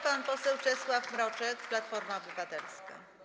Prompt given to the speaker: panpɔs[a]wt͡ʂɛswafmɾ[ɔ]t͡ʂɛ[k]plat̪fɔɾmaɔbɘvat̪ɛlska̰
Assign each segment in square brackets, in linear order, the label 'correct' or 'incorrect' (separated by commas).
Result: incorrect, correct, correct